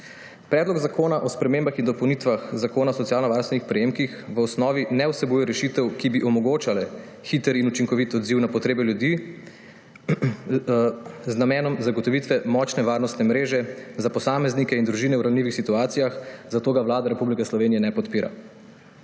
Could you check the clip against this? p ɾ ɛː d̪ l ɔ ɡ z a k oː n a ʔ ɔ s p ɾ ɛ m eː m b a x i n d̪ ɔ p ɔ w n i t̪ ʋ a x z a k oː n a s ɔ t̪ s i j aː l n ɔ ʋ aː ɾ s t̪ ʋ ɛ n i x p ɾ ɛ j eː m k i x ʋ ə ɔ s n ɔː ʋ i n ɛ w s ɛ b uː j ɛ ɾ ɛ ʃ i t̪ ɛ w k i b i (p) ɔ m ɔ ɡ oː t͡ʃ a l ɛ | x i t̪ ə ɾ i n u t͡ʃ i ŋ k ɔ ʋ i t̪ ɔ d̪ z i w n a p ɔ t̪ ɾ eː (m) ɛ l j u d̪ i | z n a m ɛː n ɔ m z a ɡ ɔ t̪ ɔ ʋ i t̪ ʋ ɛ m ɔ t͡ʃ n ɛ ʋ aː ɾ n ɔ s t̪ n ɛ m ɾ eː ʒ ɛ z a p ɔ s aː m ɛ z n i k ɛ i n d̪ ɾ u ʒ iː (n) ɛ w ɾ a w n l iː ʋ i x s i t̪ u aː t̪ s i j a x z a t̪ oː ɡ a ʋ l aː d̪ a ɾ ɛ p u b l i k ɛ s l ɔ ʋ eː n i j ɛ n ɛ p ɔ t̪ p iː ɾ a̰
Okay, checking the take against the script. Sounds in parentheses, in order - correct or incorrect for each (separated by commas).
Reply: incorrect, incorrect, correct